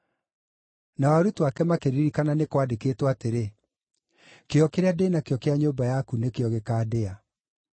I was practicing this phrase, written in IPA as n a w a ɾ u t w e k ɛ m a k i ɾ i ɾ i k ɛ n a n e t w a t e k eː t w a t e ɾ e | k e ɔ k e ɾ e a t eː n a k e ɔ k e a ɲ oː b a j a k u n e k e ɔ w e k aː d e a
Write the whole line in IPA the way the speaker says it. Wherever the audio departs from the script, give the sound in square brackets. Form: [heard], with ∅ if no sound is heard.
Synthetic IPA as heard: n a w a ɾ u t w [a] k ɛ m a k [e] ɾ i ɾ i k [a] n a n e [k] w a [d] e k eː t w a t e ɾ e | k e ɔ k e ɾ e a [d] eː n a k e ɔ k e a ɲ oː b a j a k u n e k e ɔ [ɣ] e k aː d e a